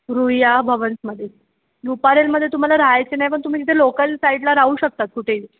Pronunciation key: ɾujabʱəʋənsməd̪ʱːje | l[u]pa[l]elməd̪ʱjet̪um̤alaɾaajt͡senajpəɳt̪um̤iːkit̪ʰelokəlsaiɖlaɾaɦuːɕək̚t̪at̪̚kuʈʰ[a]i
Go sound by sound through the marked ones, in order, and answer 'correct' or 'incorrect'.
correct, incorrect, incorrect

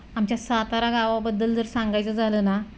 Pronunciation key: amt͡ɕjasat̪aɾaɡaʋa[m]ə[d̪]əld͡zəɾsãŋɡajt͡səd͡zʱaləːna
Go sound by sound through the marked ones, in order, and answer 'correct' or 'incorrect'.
incorrect, incorrect

